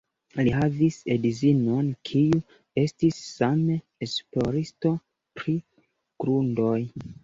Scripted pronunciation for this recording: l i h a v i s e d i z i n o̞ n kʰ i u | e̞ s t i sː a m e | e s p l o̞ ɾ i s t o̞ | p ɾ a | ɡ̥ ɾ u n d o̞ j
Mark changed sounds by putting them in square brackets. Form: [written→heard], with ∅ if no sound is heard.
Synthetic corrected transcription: l i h a v i s e d i z i n o̞ n kʰ i u | e̞ s t i sː a m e | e s p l o̞ ɾ i s t o̞ | p ɾ [a→i] | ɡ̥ ɾ u n d o̞ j

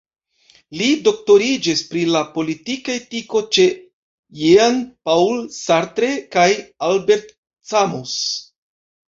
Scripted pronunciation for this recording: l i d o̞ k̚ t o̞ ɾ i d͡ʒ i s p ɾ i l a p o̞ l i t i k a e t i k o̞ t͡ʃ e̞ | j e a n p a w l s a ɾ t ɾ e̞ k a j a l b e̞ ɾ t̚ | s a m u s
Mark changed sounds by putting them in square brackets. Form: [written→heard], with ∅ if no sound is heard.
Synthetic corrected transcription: l i d o̞ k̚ t o̞ ɾ i d͡ʒ i s p ɾ i l a p o̞ l i t i k a e t i k o̞ t͡ʃ e̞ | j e a n p a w l s a ɾ t ɾ e̞ k a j a l b e̞ ɾ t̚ | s a m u s

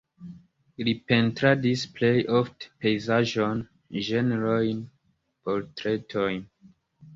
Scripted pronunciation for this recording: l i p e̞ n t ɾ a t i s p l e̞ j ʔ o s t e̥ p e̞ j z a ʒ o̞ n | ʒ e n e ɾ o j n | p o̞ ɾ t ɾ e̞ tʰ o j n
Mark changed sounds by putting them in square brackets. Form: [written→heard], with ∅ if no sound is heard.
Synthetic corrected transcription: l i p e̞ n t ɾ a [t→d] i s p l e̞ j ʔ o [s→f] t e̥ p e̞ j z a ʒ o̞ n | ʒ e n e ɾ o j n | p o̞ ɾ t ɾ e̞ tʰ o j n

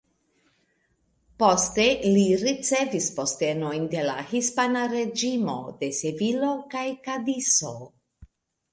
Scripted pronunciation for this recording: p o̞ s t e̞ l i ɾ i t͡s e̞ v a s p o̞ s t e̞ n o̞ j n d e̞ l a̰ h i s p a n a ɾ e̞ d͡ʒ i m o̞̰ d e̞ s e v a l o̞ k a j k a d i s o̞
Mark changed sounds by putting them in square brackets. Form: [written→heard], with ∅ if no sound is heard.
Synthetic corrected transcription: p o̞ s t e̞ l i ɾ i t͡s e̞ v [a→i] s p o̞ s t e̞ n o̞ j n d e̞ l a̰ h i s p a n a ɾ e̞ d͡ʒ i m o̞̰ d e̞ s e v [a→i] l o̞ k a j k a d i s o̞

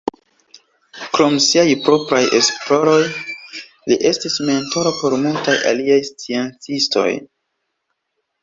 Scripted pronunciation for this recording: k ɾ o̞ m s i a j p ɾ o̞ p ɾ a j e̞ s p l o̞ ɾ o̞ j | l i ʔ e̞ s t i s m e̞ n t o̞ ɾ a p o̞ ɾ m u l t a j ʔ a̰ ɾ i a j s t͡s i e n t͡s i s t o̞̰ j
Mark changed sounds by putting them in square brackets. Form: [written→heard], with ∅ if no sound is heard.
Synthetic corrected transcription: k ɾ o̞ m s i a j p ɾ o̞ p ɾ a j e̞ s p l o̞ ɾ o̞ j | l i ʔ e̞ s t i s m e̞ n t o̞ ɾ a p o̞ ɾ m u l t a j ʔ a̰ [ɾ→l] i a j s t͡s i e n t͡s i s t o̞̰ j

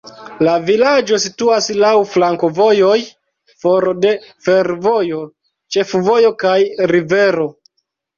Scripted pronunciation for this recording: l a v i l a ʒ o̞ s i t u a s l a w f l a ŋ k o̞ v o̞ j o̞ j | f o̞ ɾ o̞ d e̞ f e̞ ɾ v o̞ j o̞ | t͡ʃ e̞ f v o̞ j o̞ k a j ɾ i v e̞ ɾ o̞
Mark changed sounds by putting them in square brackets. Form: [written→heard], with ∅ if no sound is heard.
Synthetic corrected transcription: l a v i l a [ʒ→d͡ʒ] o̞ s i t u a s l a w f l a ŋ k o̞ v o̞ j o̞ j | f o̞ ɾ o̞ d e̞ f e̞ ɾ v o̞ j o̞ | t͡ʃ e̞ f v o̞ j o̞ k a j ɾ i v e̞ ɾ o̞

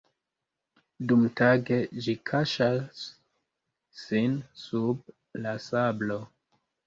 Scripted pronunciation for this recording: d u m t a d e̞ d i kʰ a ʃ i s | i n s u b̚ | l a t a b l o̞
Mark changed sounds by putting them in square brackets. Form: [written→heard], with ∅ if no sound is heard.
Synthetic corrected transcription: d u m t a [d→ɡ] e̞ [d→d͡ʒ] i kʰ a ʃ [i→a] s | i n s u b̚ | l a [t→s] a b l o̞

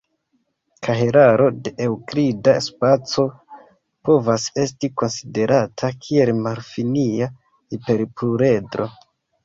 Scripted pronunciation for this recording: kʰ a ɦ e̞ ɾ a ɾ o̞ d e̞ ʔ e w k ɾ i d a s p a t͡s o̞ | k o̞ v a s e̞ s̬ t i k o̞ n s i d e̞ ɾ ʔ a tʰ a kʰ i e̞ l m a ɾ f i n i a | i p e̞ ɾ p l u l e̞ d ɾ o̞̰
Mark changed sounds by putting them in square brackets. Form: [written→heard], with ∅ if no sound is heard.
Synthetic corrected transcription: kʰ a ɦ e̞ ɾ a ɾ o̞ d e̞ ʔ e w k ɾ i d a s p a t͡s o̞ | [k→p] o̞ v a s e̞ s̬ t i k o̞ n s i d e̞ ɾ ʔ a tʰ a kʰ i e̞ l m a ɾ f i n i a | i p e̞ ɾ p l u [l→ɾ] e̞ d ɾ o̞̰

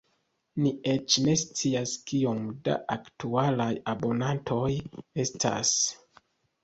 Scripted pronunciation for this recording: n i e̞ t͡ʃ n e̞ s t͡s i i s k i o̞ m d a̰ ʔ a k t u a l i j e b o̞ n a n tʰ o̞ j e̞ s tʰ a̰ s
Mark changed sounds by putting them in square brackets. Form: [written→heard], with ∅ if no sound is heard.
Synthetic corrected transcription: n i e̞ t͡ʃ n e̞ s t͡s i [i→a] s k i o̞ m d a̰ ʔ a k t u a l [i→a] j [e→a] b o̞ n a n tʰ o̞ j e̞ s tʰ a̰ s

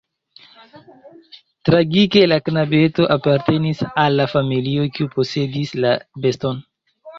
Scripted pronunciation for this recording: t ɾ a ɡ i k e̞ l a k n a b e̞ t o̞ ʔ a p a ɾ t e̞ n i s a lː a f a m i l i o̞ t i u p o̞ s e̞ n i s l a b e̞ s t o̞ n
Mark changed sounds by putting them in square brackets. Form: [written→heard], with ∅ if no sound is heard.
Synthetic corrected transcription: t ɾ a ɡ i k e̞ l a k n a b e̞ t o̞ ʔ a p a ɾ t e̞ n i s a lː a f a m i l i o̞ [t→k] i u p o̞ s e̞ [n→d] i s l a b e̞ s t o̞ n

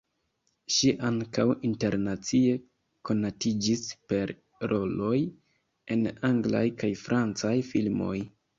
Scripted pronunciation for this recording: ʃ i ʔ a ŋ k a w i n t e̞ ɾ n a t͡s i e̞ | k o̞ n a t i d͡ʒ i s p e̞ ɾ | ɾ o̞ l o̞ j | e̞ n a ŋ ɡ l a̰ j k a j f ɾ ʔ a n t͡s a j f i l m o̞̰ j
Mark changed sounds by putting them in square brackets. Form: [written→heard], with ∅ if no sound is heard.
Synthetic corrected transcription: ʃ i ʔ a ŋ k a w i n t e̞ ɾ n a t͡s i e̞ | k o̞ n a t i d͡ʒ i s p e̞ ɾ | ɾ o̞ l o̞ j | e̞ n a ŋ ɡ l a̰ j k a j f ɾ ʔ a n t͡s a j f i l m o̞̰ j

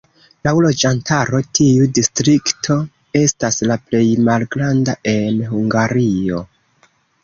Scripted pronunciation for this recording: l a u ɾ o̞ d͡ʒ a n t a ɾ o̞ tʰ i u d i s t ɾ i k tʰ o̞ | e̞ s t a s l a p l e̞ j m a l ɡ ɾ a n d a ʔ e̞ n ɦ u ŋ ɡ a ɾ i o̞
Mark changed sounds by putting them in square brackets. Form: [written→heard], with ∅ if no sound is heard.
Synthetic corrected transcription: l a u [ɾ→l] o̞ d͡ʒ a n t a ɾ o̞ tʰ i u d i s t ɾ i k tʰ o̞ | e̞ s t a s l a p l e̞ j m a l ɡ ɾ a n d a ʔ e̞ n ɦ u ŋ ɡ a ɾ i o̞

